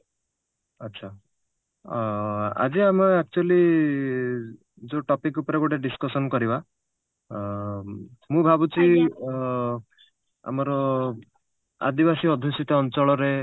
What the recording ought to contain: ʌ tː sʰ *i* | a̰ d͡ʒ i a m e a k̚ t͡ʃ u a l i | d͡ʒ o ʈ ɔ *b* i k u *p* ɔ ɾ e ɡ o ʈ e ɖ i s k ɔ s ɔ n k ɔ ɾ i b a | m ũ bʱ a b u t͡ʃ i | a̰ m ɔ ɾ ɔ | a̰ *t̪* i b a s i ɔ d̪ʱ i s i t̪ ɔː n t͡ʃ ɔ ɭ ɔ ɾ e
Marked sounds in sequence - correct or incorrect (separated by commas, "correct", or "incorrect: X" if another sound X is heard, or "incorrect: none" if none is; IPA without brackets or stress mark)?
incorrect: a, incorrect: p, correct, incorrect: d̪